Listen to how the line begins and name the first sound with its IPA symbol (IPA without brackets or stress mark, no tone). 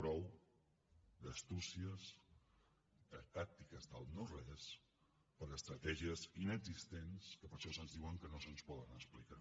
p